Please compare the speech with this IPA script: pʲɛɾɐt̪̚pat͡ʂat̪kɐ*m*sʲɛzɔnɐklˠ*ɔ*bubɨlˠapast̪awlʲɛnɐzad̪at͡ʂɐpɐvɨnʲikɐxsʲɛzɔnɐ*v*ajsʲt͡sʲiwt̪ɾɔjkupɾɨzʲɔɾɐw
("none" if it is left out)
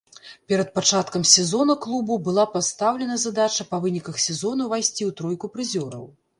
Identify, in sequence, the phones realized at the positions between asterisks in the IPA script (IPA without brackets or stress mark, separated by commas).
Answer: m, u, v